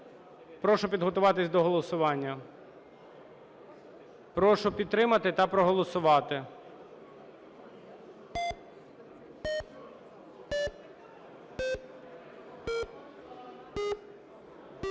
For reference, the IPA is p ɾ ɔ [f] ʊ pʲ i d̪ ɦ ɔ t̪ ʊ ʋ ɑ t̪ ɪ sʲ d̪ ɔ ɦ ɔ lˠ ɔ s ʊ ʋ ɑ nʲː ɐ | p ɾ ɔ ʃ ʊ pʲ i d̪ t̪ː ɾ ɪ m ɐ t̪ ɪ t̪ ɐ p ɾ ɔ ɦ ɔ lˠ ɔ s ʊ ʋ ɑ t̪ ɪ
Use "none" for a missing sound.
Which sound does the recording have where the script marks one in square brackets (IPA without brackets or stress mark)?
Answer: ʃ